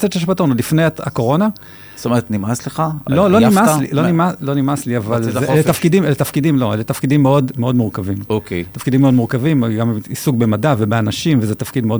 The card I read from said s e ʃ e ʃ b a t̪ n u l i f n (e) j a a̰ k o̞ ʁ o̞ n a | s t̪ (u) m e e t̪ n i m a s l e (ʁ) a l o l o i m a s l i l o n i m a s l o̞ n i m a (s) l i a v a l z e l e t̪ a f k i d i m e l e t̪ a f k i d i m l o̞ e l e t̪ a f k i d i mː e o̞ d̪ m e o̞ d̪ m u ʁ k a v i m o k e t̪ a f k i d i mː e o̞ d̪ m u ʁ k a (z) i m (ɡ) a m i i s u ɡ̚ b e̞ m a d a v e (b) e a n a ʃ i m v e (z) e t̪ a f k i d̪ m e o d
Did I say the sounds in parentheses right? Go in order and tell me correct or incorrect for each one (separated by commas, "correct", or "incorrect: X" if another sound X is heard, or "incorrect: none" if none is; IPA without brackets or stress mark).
correct, incorrect: o, incorrect: χ, correct, incorrect: v, correct, correct, correct